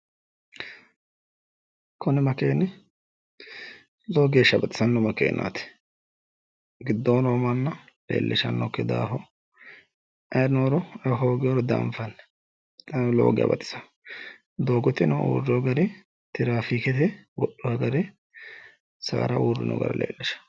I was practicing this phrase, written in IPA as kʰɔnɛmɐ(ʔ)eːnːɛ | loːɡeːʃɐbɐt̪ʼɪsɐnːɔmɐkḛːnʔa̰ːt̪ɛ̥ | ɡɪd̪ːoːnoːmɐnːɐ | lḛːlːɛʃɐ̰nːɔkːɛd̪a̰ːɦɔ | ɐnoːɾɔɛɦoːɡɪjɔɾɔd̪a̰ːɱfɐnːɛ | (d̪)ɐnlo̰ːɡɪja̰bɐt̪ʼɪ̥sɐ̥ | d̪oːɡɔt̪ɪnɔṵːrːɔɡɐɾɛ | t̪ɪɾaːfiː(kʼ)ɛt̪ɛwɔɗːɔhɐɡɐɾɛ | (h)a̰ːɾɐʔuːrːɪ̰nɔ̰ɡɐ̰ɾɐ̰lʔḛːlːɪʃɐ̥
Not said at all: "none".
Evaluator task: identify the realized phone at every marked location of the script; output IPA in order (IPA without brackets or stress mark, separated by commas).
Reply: k, t̪, k, s